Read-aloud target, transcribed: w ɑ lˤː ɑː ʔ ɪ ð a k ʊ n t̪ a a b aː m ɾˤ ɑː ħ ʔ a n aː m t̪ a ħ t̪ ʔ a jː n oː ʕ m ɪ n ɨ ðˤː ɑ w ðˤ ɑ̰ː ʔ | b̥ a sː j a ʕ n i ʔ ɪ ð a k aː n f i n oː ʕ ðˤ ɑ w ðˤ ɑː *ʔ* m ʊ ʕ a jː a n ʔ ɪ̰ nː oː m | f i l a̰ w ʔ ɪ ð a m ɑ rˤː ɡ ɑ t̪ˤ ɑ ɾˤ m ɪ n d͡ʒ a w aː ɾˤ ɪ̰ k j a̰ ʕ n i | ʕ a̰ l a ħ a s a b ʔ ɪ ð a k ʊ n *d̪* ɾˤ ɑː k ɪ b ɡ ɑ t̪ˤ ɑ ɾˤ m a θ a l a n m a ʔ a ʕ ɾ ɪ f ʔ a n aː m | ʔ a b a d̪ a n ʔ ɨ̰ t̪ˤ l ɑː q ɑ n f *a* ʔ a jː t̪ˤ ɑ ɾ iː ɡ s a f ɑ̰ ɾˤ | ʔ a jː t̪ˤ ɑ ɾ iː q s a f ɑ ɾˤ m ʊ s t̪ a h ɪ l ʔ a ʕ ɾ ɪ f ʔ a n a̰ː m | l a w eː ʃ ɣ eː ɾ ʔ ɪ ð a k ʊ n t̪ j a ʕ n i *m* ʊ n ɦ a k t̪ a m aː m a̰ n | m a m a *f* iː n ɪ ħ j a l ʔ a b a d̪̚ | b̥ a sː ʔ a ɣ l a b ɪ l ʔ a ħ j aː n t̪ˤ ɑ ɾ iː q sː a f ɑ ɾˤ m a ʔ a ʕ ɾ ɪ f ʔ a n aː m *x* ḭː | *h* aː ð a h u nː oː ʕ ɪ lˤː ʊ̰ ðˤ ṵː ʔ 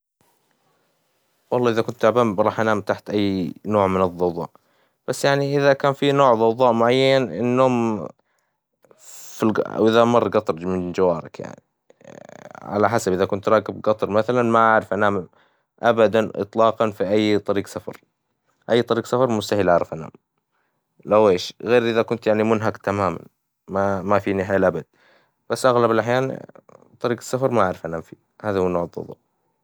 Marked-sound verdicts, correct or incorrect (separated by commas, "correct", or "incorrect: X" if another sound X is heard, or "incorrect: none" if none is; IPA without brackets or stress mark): correct, incorrect: t̪, incorrect: i, correct, correct, incorrect: f, correct